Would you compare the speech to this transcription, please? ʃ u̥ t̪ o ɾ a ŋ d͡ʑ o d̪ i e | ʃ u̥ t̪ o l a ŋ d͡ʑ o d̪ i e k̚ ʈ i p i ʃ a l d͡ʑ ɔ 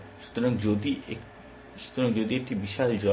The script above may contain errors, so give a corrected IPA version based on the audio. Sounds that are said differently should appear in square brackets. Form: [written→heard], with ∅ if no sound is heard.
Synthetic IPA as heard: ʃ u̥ t̪ o ɾ a ŋ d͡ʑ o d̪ i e | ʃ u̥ t̪ o [l→ɾ] a ŋ d͡ʑ o d̪ i e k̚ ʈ i [p→b] i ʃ a l d͡ʑ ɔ